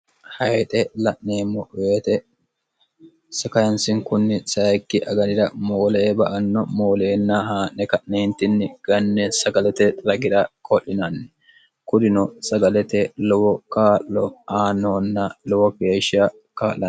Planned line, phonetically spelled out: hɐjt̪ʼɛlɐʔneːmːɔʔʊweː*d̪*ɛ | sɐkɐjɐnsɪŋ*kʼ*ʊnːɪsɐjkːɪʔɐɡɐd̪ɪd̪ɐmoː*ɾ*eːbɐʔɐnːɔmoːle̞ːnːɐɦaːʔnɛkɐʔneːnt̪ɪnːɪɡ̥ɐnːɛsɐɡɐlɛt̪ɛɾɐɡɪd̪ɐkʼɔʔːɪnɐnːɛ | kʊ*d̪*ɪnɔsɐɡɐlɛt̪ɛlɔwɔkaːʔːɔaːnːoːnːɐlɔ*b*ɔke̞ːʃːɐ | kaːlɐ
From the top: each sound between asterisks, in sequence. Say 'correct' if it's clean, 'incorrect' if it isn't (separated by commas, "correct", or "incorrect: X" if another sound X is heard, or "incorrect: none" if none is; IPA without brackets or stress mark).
incorrect: t̪, incorrect: k, incorrect: l, correct, incorrect: w